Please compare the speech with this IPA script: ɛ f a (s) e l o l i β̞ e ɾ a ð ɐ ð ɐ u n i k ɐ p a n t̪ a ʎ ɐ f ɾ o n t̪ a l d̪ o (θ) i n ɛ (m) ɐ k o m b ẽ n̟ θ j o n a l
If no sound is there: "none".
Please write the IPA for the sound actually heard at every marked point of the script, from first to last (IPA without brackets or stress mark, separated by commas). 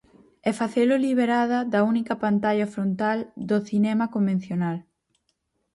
θ, θ, m